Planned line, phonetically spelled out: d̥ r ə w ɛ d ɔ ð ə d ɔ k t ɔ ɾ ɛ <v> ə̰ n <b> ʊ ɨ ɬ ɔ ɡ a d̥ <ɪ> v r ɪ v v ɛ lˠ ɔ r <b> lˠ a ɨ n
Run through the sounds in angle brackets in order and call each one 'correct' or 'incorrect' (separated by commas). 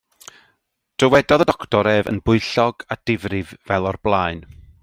correct, correct, correct, correct